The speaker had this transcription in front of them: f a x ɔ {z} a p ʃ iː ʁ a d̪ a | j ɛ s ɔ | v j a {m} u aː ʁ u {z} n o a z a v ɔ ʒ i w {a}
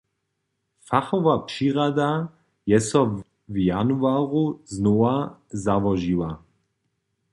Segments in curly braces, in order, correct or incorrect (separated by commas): incorrect, incorrect, correct, correct